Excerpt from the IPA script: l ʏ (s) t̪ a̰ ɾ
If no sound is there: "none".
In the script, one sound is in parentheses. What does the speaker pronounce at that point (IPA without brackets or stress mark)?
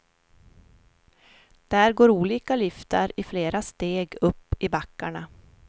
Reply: f